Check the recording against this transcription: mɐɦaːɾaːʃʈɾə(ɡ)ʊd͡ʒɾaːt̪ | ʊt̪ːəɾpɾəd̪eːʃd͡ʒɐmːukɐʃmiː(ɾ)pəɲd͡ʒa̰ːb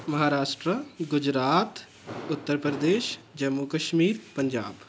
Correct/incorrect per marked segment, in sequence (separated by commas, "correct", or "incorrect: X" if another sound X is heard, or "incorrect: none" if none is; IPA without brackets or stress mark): correct, correct